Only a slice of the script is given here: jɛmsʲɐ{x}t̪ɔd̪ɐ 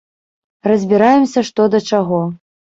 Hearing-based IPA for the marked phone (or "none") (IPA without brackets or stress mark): ʂ